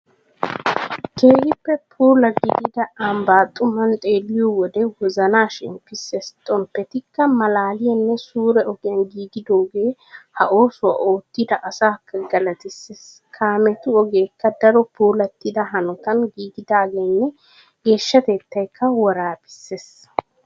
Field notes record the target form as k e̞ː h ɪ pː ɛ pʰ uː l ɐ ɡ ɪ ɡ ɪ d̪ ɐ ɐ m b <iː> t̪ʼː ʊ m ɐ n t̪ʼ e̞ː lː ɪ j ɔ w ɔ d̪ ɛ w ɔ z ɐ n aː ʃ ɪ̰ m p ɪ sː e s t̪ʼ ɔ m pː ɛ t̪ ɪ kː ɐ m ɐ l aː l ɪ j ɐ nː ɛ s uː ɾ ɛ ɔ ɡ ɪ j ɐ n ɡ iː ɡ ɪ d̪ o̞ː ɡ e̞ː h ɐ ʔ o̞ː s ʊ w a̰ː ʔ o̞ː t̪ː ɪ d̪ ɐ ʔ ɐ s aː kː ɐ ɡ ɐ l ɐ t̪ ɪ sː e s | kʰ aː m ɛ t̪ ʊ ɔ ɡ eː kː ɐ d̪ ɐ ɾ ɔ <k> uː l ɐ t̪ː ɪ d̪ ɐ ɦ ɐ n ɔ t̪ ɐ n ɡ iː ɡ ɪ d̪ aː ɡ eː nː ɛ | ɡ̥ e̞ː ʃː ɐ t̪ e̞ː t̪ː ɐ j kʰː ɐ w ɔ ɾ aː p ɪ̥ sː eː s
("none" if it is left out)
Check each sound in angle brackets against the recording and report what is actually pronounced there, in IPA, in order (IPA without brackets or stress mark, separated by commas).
aː, p